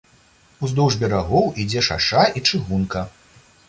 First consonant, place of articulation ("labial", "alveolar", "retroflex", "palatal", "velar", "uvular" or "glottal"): alveolar